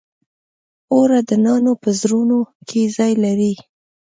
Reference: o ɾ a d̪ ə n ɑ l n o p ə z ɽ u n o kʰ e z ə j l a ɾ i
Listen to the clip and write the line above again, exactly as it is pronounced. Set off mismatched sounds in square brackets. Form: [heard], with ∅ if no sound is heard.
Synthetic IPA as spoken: o ɾ a d̪ ə n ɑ [∅] n o p ə z [ɾ] u n o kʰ e z [ɑ] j l a ɾ i